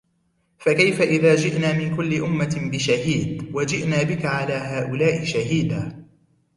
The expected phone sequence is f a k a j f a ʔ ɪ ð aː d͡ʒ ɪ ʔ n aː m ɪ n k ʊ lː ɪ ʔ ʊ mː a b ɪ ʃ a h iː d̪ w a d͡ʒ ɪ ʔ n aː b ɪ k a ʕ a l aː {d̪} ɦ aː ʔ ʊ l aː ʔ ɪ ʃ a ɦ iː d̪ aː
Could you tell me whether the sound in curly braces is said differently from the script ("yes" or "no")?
yes